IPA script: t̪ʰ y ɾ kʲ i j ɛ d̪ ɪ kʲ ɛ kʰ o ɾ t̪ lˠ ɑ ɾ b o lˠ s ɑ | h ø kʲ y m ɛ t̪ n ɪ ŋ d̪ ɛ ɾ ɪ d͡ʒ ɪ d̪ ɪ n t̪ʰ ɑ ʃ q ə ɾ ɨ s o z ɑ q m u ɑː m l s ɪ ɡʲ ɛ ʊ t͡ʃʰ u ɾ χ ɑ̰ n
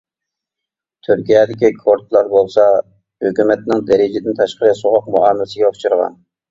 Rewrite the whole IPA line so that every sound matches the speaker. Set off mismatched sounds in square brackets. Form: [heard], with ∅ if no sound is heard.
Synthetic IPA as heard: t̪ʰ y ɾ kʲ i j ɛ d̪ ɪ kʲ [i] kʰ o ɾ t̪ lˠ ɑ ɾ b o lˠ s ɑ | h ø kʲ y m ɛ t̪ n ɪ ŋ d̪ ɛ ɾ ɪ d͡ʒ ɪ d̪ ɪ n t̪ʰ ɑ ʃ q ə ɾ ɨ s o [ʁ] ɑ q m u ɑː m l s ɪ ɡʲ ɛ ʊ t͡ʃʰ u ɾ [ʁ] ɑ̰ n